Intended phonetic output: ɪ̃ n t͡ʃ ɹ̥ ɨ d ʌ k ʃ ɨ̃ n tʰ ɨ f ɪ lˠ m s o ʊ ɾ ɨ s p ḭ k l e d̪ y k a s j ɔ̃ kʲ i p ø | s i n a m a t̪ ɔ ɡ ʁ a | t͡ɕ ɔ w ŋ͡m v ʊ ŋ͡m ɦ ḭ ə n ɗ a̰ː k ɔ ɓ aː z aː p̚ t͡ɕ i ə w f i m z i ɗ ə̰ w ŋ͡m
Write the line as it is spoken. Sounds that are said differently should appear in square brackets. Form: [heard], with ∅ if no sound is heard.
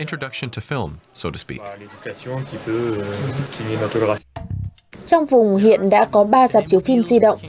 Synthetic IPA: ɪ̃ n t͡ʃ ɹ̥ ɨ d ʌ k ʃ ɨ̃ n tʰ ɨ f ɪ lˠ m s o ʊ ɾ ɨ s p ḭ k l e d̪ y k a s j ɔ̃ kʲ i p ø | s i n [e] m a t̪ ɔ ɡ ʁ a | t͡ɕ ɔ w ŋ͡m v ʊ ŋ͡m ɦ ḭ ə n ɗ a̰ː k ɔ ɓ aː z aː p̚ t͡ɕ i ə w f i m z i ɗ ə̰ w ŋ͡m